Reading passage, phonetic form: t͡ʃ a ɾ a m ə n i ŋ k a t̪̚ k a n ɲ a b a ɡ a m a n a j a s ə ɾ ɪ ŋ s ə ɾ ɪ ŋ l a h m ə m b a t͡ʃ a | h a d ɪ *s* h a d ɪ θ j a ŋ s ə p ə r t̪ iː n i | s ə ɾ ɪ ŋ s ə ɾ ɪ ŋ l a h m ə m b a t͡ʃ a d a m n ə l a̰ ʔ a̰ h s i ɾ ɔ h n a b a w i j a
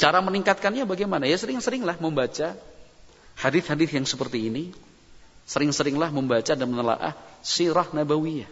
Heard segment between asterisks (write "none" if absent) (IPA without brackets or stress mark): θ